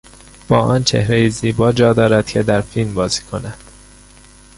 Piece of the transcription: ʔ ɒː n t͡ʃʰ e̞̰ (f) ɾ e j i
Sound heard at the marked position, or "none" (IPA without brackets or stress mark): h